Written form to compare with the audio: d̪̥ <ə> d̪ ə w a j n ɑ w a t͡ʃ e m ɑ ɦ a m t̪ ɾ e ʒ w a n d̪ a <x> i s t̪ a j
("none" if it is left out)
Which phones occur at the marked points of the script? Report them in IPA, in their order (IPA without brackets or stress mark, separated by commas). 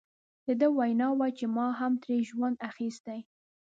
ə, x